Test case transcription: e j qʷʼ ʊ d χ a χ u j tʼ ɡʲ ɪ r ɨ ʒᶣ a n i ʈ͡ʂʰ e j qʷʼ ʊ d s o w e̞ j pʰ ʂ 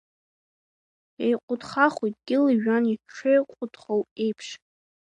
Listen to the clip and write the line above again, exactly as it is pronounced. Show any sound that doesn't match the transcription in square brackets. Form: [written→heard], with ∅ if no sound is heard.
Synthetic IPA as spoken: e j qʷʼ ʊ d χ a χ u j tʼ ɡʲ ɪ [r→l] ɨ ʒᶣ a n i ʈ͡ʂʰ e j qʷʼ ʊ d [s→χ] o w e̞ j pʰ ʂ